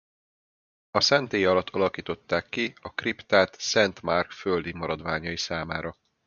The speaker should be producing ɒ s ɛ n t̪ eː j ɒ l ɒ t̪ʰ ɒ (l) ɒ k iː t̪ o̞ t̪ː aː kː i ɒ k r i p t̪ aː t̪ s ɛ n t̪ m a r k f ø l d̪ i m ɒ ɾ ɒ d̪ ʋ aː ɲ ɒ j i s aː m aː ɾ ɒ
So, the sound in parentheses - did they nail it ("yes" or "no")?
yes